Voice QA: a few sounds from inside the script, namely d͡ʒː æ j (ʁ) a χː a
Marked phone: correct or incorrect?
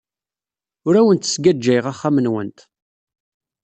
correct